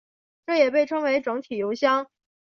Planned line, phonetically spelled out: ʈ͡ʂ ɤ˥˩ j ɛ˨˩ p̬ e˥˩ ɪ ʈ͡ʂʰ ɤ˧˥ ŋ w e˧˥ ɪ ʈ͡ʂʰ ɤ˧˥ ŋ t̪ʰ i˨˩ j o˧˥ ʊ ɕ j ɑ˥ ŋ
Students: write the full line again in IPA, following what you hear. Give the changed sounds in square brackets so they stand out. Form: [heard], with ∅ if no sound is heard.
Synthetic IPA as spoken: ʈ͡ʂ ɤ˥˩ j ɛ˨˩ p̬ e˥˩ ɪ ʈ͡ʂʰ [ɤ˥] ŋ w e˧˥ ɪ [ʈ͡ʂ] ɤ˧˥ ŋ t̪ʰ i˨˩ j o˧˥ ʊ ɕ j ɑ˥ ŋ